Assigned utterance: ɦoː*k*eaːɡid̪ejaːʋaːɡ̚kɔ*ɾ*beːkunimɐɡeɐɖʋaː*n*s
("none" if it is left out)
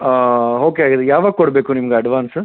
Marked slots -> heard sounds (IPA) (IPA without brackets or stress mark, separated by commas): k, ɽ, n